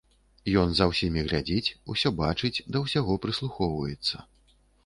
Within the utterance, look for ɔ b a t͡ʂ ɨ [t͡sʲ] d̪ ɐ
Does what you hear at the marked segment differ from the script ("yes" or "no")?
no